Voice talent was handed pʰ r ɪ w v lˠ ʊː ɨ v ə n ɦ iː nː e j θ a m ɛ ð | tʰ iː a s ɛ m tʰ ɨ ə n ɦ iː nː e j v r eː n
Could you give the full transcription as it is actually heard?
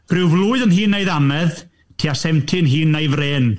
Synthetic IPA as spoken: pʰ r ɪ w v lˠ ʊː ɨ ð ə n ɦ iː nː e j ð a m ɛ ð | tʰ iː a s ɛ m tʰ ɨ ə n ɦ iː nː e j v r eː n